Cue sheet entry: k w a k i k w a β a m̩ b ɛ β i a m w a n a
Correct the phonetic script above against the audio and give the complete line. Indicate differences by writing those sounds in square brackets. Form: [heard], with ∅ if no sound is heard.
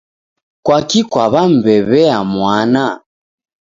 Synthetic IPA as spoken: k w a k i k w a β a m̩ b ɛ β [ɛ] a m w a n a